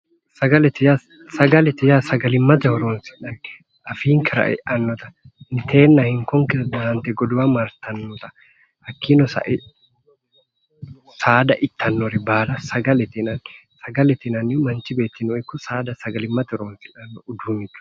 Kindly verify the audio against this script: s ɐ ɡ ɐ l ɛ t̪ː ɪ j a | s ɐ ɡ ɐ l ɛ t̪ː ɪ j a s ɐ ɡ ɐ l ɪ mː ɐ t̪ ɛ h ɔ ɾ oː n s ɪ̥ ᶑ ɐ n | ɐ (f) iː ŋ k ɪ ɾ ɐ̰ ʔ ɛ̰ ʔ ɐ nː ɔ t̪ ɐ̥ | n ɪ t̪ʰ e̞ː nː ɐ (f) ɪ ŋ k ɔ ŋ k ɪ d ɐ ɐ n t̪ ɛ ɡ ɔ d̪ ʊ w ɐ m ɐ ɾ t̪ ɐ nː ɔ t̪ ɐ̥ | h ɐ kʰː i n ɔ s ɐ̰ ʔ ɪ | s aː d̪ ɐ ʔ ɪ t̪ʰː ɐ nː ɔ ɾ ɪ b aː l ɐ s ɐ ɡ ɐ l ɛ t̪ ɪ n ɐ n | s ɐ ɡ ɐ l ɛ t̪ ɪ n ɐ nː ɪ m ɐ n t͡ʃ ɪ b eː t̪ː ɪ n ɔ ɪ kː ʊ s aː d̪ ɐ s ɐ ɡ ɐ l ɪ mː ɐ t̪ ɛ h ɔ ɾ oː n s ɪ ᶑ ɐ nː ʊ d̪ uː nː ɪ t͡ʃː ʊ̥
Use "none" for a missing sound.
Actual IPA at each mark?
f, h

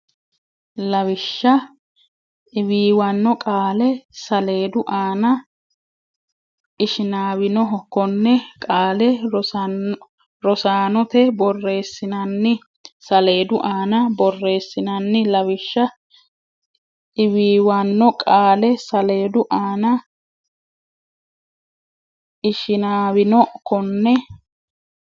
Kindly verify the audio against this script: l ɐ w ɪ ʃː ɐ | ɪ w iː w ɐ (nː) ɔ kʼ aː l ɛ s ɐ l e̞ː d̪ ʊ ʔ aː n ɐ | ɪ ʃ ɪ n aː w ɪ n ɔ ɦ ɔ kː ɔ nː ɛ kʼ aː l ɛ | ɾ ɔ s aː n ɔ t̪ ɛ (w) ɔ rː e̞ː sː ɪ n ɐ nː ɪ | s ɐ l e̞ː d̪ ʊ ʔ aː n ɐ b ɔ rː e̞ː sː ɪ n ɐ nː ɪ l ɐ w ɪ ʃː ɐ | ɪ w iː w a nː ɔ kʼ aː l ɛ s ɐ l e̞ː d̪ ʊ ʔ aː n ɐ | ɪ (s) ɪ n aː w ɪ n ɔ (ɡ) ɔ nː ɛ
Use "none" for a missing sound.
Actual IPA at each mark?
nː, b, ʃ, k

